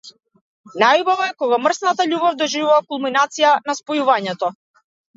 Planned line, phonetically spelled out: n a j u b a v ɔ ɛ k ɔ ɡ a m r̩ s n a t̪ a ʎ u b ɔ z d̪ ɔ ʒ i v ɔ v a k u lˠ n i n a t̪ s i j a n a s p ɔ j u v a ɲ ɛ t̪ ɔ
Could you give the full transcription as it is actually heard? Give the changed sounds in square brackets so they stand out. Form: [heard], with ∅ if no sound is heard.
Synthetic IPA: n a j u b a v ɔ ɛ k ɔ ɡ a m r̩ s n a t̪ a ʎ u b ɔ [v] d̪ ɔ ʒ i v [u] v a k u lˠ [m] i n a t̪ s i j a n a s p ɔ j u v a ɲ ɛ t̪ ɔ